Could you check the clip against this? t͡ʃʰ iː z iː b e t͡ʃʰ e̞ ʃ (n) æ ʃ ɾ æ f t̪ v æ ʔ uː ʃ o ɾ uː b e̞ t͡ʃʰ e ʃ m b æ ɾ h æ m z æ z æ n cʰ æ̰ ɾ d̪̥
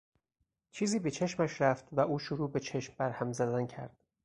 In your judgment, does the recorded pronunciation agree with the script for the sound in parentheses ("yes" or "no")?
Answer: no